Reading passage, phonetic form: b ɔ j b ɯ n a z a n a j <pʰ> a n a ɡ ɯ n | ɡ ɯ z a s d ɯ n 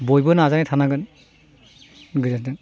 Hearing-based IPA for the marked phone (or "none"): tʰ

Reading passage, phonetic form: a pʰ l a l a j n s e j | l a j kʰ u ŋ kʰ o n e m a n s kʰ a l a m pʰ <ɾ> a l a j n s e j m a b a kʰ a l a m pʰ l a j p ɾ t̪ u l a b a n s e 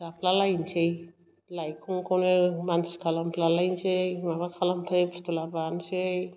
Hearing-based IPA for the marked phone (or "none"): l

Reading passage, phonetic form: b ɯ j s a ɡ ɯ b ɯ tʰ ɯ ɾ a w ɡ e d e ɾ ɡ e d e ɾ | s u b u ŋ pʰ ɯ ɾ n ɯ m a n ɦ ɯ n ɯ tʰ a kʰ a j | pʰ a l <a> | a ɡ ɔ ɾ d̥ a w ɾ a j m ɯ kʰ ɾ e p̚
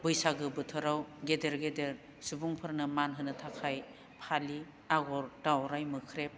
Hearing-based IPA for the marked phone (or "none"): i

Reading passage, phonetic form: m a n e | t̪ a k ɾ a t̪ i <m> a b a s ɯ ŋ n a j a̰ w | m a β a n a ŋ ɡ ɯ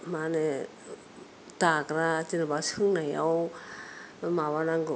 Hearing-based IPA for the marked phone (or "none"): n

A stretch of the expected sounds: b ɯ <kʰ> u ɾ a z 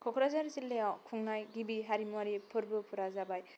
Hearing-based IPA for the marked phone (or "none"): pʰ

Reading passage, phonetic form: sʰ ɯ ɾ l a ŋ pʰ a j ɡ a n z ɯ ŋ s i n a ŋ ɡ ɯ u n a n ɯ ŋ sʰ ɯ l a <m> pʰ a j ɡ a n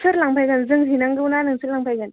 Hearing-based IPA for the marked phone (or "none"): ŋ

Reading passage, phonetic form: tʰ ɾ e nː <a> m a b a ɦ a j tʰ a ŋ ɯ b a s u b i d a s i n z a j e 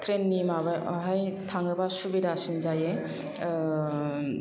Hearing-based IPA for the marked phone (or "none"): i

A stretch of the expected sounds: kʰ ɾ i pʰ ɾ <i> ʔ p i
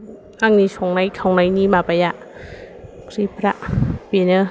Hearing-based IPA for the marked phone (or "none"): a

